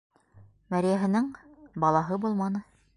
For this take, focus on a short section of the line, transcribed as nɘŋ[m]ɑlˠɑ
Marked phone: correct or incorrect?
incorrect